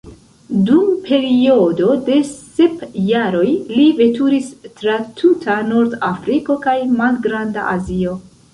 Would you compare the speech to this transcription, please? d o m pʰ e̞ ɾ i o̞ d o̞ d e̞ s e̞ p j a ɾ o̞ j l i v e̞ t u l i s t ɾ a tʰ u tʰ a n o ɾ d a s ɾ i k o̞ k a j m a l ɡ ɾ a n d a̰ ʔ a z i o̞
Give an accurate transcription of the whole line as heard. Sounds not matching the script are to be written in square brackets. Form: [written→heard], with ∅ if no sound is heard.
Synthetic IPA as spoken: d [o→u] m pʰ e̞ ɾ i o̞ d o̞ d e̞ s e̞ p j a ɾ o̞ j l i v e̞ t u [l→ɾ] i s t ɾ a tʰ u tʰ a n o ɾ d a [s→f] ɾ i k o̞ k a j m a l ɡ ɾ a n d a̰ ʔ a z i o̞